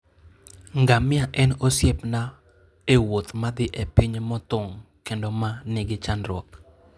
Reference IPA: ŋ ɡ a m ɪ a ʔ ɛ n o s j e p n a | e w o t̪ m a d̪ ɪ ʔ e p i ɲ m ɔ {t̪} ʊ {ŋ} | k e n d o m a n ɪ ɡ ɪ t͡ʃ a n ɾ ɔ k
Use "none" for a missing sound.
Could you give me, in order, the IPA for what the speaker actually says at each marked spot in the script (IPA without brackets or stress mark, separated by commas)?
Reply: t̪, ŋ